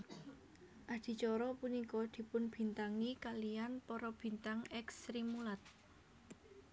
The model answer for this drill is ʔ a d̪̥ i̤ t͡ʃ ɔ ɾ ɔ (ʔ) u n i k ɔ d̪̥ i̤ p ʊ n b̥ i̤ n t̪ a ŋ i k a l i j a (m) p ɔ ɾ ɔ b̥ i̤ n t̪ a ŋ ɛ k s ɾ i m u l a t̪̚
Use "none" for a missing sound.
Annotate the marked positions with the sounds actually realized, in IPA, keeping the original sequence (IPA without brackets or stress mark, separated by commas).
p, n